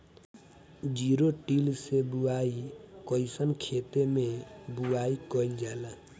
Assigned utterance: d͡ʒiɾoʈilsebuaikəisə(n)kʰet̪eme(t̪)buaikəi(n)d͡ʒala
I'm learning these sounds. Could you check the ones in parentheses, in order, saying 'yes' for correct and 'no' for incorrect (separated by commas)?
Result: yes, no, yes